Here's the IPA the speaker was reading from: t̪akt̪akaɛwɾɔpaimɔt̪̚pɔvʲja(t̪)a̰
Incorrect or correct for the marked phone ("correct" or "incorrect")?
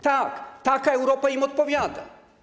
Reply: incorrect